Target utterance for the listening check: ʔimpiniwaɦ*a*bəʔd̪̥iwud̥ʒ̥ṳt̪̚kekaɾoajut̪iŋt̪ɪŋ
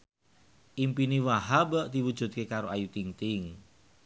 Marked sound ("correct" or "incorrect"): correct